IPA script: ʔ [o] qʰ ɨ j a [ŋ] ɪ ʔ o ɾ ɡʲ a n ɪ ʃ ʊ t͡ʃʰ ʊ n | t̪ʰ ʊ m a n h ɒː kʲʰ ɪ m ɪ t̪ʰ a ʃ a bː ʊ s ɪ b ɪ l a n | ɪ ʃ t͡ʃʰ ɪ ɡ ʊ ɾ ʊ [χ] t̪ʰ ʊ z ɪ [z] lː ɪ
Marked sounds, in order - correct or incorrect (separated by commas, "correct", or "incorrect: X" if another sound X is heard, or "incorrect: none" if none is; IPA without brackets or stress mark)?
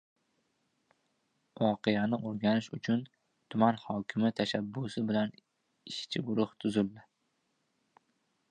incorrect: ɒ, incorrect: n, incorrect: h, incorrect: none